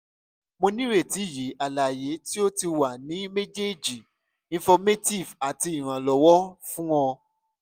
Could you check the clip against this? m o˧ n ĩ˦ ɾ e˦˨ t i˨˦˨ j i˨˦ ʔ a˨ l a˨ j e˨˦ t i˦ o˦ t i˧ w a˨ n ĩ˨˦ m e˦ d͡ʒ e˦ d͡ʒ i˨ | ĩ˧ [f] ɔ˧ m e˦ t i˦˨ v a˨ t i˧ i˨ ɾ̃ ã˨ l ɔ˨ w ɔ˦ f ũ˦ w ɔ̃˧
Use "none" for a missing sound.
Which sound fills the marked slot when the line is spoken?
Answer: f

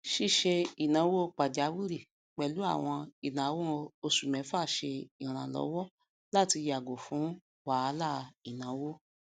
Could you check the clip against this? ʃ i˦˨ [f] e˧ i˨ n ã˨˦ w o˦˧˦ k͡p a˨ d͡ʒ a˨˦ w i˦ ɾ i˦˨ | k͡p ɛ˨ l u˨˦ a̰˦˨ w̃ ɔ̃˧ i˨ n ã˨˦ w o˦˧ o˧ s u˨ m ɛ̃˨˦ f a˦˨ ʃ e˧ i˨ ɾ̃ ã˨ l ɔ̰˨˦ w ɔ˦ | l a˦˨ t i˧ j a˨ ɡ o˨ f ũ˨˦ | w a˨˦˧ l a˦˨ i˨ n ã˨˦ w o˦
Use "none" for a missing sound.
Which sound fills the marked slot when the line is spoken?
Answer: ʃ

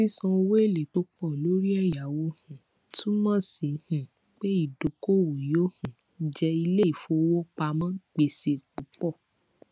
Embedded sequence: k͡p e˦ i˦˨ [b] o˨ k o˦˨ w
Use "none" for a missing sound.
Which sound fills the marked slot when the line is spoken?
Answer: d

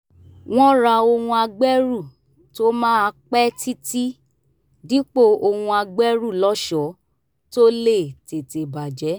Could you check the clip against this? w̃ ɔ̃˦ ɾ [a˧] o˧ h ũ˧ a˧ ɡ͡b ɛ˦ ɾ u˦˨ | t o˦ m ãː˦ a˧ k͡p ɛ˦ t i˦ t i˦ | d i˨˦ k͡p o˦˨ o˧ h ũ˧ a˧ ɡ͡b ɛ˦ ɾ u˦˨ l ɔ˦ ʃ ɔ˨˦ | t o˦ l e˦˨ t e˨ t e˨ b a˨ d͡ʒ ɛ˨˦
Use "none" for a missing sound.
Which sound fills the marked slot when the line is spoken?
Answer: a˧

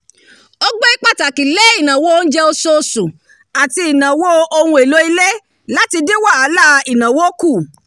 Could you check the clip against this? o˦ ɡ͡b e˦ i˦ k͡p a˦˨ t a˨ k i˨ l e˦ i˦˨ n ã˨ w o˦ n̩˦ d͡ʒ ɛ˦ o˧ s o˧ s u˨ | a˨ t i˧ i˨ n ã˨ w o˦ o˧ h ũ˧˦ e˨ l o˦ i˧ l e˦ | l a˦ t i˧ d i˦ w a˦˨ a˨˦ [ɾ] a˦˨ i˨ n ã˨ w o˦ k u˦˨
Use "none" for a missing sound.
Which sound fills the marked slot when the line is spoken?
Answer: l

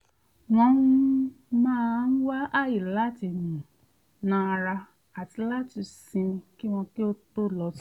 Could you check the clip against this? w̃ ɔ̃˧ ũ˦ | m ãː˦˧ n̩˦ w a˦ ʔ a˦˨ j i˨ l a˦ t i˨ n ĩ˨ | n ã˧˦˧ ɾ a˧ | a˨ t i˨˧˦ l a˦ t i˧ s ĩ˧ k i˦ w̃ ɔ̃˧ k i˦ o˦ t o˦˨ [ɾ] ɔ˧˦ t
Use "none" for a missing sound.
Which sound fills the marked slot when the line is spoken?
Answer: l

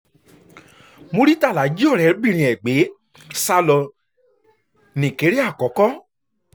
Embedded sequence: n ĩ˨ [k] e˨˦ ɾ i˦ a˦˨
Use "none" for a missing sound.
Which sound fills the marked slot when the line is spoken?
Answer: k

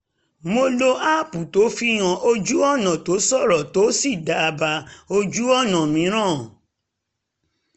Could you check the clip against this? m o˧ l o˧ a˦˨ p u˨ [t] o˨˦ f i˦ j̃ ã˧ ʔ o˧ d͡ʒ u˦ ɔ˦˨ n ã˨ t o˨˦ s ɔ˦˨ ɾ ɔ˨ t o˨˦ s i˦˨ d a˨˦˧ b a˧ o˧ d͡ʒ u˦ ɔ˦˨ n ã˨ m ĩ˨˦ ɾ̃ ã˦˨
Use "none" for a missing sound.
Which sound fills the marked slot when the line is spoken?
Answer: t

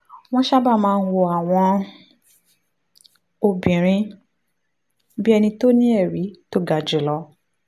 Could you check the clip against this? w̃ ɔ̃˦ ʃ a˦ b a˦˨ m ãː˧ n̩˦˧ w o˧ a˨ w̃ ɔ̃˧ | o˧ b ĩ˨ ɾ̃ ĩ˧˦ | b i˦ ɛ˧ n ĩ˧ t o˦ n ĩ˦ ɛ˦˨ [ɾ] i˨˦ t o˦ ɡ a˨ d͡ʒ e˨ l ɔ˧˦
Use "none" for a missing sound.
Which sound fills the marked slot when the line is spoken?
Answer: ɾ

